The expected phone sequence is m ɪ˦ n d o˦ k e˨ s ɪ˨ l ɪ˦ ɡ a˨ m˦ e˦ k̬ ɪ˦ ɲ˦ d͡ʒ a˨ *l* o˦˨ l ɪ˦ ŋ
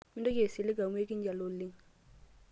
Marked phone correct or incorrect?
correct